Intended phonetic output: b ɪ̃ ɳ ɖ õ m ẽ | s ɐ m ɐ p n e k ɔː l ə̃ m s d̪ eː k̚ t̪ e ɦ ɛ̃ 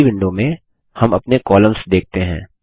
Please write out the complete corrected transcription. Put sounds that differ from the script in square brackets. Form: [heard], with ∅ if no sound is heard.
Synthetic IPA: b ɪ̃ ɳ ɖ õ m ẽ | [h] ɐ m ɐ p n e k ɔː l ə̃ m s d̪ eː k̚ t̪ e ɦ [ɛ̃ː]